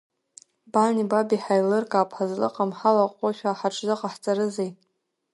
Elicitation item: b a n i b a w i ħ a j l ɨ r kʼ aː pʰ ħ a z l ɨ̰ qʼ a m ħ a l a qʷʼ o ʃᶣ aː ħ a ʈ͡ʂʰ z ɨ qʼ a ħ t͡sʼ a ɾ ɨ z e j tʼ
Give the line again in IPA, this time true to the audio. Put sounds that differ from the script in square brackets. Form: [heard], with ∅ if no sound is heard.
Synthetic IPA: b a n i b a [b] i ħ a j l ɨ r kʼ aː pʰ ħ a z l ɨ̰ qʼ a m ħ a l a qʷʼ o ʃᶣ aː ħ a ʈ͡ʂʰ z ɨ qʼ a ħ t͡sʼ a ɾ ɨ z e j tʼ

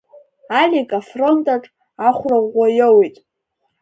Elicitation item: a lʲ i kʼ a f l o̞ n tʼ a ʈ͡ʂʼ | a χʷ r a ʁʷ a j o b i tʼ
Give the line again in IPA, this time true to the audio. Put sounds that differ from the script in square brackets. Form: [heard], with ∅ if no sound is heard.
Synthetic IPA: a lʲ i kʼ a f [r] o̞ n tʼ a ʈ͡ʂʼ | a χʷ r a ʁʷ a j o [w] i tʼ

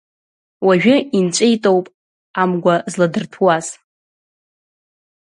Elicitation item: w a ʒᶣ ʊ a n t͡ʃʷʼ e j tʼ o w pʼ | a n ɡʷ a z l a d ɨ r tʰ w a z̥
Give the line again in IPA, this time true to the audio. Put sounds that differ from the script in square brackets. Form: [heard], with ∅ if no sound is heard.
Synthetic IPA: w a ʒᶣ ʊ [i] n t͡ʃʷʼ e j tʼ o w pʼ | a [m] ɡʷ a z l a d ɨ r tʰ w a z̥

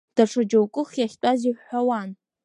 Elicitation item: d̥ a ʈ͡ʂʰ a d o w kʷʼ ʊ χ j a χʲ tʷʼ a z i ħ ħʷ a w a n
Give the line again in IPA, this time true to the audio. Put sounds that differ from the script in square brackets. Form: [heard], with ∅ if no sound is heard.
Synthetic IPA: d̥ a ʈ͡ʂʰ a [d͡ʒ] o w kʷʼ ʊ χ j a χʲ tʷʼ a z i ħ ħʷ a w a n

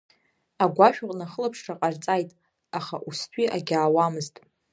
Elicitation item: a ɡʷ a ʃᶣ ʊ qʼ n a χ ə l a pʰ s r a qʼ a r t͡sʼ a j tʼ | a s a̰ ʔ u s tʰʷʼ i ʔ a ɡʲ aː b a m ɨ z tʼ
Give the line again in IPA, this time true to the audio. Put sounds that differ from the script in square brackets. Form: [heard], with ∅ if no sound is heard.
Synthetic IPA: a ɡʷ a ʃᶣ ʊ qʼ n a χ ə l a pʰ [ʂ] r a qʼ a r t͡sʼ a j tʼ | a [χ] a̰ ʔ u s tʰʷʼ i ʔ a ɡʲ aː [w] a m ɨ z tʼ

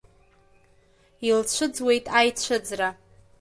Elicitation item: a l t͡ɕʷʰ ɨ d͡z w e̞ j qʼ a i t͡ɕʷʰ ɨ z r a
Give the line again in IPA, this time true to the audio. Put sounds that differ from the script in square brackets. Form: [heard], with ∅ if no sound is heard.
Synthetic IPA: [i] l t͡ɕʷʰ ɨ d͡z w e̞ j [tʼ] a [j] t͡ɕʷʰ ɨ [d͡z] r a

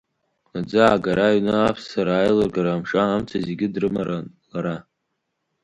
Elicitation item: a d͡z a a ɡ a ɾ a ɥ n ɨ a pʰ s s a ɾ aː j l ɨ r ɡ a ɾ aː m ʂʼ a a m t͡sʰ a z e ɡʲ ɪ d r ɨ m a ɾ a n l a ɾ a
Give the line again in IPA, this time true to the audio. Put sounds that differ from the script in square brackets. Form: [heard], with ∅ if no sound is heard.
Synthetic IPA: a d͡z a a ɡ a ɾ a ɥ n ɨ a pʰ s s a ɾ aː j l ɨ r ɡ a ɾ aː m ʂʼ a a m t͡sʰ a z e ɡʲ ɪ d r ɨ m a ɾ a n l a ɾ a

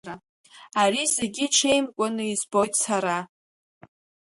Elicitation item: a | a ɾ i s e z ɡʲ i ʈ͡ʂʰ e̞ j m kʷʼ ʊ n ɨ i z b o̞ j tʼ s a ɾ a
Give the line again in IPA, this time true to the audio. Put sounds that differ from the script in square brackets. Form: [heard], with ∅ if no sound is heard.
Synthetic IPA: a | a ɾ i [z] e [∅] ɡʲ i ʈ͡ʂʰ e̞ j m kʷʼ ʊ n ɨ i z b o̞ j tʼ s a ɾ a

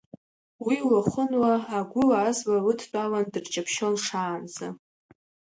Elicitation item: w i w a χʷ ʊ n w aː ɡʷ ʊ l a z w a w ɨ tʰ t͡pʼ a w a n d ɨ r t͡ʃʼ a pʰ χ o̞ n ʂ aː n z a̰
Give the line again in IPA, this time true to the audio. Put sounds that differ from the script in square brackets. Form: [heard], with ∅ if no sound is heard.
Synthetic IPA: w i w a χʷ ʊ n w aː ɡʷ ʊ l a z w a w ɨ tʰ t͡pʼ a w a n d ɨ r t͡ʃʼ a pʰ [ʃ] o̞ n ʂ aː n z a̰

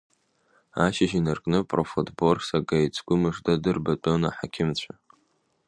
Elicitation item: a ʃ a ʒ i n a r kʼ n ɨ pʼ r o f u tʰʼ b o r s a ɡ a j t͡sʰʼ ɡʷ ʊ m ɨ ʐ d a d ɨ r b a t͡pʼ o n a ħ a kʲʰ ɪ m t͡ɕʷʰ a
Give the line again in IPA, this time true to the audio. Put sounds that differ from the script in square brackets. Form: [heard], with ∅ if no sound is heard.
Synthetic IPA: a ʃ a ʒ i n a r kʼ n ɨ pʼ r o f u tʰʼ b o r s a ɡ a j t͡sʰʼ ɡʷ ʊ m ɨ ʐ d a d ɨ r b a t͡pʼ o n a ħ a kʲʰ ɪ m t͡ɕʷʰ a

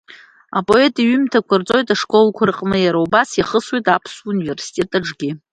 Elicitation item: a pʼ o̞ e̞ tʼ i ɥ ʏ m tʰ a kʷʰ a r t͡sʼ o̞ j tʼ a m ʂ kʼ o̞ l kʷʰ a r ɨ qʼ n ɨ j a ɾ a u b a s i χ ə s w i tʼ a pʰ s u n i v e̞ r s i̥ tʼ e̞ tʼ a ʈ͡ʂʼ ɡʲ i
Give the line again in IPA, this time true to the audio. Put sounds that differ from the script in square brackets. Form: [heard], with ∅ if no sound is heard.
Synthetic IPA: a pʼ o̞ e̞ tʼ i ɥ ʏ m tʰ a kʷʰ a r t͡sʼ o̞ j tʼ a [∅] ʂ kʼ o̞ l kʷʰ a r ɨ qʼ n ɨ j a ɾ a u b a s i χ ə s w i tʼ a pʰ s u n i v e̞ r s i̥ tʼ e̞ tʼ a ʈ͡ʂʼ ɡʲ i

